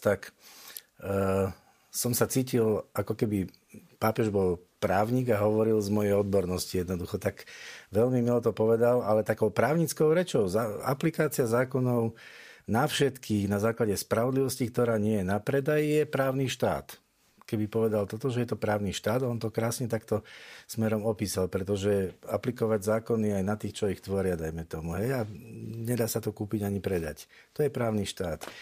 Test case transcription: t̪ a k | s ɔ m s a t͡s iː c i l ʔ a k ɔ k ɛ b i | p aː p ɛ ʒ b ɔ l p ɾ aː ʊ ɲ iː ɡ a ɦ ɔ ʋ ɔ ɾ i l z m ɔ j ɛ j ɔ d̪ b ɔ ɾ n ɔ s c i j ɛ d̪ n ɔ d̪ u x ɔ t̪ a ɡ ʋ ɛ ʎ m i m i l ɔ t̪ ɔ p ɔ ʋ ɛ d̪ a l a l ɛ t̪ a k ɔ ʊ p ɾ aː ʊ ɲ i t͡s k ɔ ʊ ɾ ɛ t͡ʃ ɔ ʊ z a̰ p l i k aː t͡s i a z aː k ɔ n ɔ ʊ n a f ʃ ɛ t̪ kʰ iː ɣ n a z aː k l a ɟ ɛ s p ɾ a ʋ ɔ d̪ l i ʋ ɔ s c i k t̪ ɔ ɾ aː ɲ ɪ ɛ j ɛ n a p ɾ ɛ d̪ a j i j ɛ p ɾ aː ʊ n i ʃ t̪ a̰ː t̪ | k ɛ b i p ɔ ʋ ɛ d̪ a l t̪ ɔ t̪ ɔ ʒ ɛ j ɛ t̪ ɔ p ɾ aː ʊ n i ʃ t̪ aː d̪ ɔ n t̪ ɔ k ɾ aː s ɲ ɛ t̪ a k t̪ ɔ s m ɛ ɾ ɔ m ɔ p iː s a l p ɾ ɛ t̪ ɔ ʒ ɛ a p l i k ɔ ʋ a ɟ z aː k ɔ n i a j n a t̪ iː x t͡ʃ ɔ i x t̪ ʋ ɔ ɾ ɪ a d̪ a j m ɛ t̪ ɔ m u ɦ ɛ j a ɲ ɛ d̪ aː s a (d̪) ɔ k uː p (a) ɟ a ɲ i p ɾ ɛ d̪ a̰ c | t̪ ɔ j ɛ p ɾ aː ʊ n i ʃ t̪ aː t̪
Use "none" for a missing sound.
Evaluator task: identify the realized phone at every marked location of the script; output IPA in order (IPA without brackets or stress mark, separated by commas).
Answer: t̪, i